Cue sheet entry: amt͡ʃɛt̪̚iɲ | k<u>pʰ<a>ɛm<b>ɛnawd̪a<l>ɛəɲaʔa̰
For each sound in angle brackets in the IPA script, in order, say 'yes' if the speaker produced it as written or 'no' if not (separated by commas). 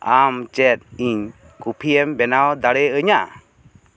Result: yes, no, yes, no